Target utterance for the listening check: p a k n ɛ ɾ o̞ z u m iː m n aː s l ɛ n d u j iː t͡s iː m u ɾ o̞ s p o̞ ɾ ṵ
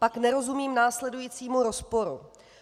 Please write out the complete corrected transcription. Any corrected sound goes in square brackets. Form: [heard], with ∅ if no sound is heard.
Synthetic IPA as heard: p a k n ɛ ɾ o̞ z u m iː m n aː s l ɛ [∅] d u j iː t͡s iː m u ɾ o̞ s p o̞ ɾ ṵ